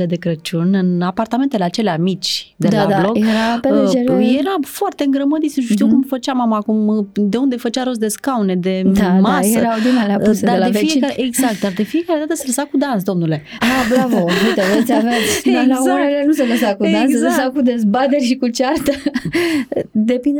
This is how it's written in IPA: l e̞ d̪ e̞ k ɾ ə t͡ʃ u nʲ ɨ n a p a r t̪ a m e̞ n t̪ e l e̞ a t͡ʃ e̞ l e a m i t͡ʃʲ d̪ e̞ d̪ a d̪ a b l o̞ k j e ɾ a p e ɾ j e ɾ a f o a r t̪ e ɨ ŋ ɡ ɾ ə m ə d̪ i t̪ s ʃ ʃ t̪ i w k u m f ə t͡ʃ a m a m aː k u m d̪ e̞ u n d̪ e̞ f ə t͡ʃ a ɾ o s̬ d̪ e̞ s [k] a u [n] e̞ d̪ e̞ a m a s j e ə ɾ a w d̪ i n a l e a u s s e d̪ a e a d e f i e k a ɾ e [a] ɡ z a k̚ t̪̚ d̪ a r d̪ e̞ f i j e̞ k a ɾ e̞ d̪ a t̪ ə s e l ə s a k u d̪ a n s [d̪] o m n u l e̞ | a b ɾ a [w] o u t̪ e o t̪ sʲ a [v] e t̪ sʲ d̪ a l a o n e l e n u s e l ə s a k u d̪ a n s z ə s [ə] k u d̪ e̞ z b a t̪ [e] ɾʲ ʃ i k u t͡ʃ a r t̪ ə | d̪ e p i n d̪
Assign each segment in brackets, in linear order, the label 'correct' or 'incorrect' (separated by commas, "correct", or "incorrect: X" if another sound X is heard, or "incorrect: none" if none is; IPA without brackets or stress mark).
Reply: correct, correct, incorrect: e, correct, incorrect: v, correct, incorrect: a, correct